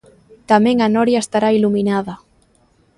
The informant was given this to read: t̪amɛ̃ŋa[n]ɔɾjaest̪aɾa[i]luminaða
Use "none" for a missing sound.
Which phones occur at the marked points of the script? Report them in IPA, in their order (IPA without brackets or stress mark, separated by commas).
n, i